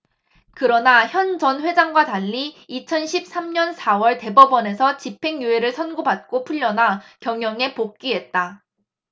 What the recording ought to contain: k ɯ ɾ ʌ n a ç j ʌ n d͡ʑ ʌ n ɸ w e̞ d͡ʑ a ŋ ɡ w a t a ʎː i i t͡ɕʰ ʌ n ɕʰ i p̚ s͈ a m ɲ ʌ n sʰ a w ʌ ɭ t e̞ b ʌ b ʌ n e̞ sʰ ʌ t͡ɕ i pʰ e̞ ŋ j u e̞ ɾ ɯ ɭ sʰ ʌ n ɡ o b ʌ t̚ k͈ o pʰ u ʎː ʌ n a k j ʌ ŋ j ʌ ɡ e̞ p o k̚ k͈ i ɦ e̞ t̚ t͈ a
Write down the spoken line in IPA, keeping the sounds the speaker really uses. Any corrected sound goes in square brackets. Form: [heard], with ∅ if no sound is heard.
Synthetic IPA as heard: k ɯ ɾ ʌ n a ç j ʌ n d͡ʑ ʌ n ɸ w e̞ d͡ʑ a ŋ ɡ w a t a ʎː i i t͡ɕʰ ʌ n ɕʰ i p̚ s͈ a m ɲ ʌ n sʰ a w ʌ ɭ t e̞ b ʌ b ʌ n e̞ sʰ ʌ t͡ɕ i pʰ e̞ ŋ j u e̞ ɾ ɯ ɭ sʰ ʌ n ɡ o b [a] t̚ k͈ o pʰ u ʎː ʌ n a k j ʌ ŋ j ʌ [ŋ] e̞ p o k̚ k͈ i ɦ e̞ t̚ t͈ a